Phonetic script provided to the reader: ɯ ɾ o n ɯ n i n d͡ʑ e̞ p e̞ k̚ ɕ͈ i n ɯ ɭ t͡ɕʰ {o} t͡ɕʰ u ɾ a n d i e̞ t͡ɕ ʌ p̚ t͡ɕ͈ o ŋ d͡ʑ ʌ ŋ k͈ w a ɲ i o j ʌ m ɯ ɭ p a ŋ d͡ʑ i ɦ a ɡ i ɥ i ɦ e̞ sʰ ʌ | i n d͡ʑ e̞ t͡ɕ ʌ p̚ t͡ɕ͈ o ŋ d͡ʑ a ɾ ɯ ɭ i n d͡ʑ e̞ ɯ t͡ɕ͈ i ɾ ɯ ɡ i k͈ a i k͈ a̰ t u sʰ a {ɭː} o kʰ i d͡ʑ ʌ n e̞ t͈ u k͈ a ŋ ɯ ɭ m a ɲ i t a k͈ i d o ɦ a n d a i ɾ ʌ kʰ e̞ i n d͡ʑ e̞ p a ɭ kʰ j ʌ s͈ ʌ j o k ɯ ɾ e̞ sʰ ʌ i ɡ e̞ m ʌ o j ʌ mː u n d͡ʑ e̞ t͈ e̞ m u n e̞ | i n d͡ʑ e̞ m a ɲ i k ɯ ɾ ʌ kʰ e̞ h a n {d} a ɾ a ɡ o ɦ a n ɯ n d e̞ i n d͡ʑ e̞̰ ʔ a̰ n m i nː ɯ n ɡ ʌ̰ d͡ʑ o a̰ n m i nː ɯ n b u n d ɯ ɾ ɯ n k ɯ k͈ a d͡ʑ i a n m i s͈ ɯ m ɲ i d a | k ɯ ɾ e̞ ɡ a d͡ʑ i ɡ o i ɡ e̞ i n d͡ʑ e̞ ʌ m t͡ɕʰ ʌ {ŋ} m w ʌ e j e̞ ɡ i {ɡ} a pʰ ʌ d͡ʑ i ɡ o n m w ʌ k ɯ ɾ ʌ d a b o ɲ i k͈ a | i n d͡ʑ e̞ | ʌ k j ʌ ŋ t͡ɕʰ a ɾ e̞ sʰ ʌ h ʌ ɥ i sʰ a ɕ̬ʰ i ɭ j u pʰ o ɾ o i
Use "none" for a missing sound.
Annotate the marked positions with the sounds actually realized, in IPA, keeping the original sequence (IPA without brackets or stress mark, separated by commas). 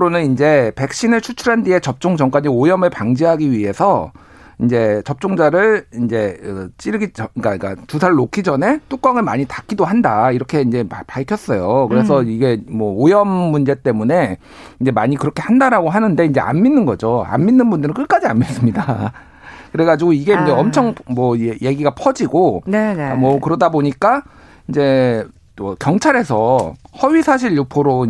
u, ɭː, d, ŋ, ɡ